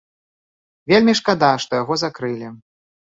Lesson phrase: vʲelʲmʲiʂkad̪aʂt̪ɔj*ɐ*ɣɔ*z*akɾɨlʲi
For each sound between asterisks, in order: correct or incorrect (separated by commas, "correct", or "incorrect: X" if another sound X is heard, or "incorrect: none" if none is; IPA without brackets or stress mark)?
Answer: incorrect: a, correct